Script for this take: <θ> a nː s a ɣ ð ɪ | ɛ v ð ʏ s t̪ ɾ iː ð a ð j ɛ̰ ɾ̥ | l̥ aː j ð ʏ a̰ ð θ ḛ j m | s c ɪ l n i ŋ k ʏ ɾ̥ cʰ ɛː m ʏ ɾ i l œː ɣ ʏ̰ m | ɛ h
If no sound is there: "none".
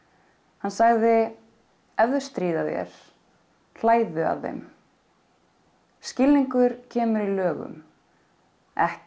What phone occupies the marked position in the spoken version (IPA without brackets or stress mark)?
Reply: h